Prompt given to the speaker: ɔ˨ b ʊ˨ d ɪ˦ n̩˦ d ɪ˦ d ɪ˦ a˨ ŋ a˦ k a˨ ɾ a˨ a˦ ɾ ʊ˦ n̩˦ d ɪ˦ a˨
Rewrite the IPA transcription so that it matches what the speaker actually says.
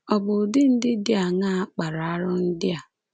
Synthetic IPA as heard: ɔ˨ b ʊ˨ d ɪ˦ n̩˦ d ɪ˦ d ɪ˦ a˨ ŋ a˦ k͡p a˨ ɾ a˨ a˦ ɾ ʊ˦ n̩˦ d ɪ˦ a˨